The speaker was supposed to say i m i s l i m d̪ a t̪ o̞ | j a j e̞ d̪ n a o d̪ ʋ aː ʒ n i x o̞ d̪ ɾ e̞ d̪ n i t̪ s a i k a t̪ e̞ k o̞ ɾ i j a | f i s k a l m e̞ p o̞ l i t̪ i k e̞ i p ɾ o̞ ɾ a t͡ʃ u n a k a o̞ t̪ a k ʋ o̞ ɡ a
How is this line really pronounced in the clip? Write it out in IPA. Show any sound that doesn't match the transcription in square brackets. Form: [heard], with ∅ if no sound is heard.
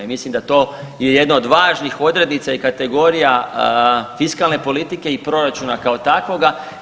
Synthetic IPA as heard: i m i s l i m d̪ a t̪ o̞ | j [e] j e̞ d̪ n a o d̪ ʋ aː ʒ n i x o̞ d̪ ɾ e̞ d̪ n i t̪ s a i k a t̪ e̞ [ɡ] o̞ ɾ i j a | f i s k a l [n] e̞ p o̞ l i t̪ i k e̞ i p ɾ o̞ ɾ a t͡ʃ u n a k a o̞ t̪ a k ʋ o̞ ɡ a

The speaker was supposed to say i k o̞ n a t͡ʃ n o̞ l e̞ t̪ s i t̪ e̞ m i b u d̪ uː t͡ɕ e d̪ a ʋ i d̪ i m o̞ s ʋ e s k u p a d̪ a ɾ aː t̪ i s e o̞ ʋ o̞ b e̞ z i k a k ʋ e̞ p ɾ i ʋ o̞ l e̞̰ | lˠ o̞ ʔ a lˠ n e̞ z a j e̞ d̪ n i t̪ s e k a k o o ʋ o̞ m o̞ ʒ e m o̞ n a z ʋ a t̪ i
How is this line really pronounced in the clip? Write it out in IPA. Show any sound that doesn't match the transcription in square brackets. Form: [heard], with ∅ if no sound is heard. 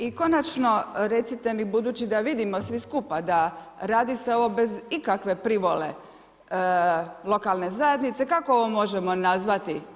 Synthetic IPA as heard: i k o̞ n a t͡ʃ n o̞ [ɾ] e̞ t̪ s i t̪ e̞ m i b u d̪ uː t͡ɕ [i] d̪ a ʋ i d̪ i m o̞ s ʋ [i] s k u p a d̪ a ɾ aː [d̪] i s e o̞ ʋ o̞ b e̞ z i k a k ʋ e̞ p ɾ i ʋ o̞ l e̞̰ | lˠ o̞ [k] a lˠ n e̞ z a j e̞ d̪ n i t̪ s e k a k o o ʋ o̞ m o̞ ʒ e m o̞ n a z ʋ a t̪ i

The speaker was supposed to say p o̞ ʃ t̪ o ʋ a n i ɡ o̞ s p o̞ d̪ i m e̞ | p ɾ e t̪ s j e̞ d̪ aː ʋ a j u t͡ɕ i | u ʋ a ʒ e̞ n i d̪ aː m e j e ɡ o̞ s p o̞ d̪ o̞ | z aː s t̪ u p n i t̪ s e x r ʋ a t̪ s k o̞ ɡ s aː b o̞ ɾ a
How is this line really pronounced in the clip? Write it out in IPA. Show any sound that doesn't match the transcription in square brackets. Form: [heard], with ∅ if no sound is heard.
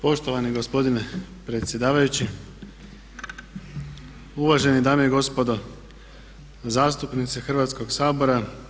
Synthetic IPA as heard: p o̞ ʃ t̪ o ʋ a n i ɡ o̞ s p o̞ d̪ i [n] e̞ | p ɾ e t̪ s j e̞ d̪ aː ʋ a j u t͡ɕ i | u ʋ a ʒ e̞ n i d̪ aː m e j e ɡ o̞ s p o̞ d̪ o̞ | z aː s t̪ u p n i t̪ s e x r ʋ a t̪ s k o̞ ɡ s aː b o̞ ɾ a

